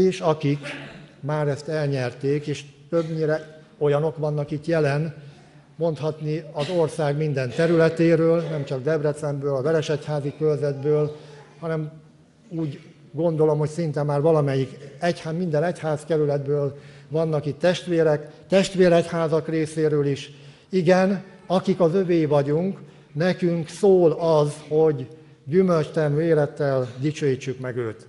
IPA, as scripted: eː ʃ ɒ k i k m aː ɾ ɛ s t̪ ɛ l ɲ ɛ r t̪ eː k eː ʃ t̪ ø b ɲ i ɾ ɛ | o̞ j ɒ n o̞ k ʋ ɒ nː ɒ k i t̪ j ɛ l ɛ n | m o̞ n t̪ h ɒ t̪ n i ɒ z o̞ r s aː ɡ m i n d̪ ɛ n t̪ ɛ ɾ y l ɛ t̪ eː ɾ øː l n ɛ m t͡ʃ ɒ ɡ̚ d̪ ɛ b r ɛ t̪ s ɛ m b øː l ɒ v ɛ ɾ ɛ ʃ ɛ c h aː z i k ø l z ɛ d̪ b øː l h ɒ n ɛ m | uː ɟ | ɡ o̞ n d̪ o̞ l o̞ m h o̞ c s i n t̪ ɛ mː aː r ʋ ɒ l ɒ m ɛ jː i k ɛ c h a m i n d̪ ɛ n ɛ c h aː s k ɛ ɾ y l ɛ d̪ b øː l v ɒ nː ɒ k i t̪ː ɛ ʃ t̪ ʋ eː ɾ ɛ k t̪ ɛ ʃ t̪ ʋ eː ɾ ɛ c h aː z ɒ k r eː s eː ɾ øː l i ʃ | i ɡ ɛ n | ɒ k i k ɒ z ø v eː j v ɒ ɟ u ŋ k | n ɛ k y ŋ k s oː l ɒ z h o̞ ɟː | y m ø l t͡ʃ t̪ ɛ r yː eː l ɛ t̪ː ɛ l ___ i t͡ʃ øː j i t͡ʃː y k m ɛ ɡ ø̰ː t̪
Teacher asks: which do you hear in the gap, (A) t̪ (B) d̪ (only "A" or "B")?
B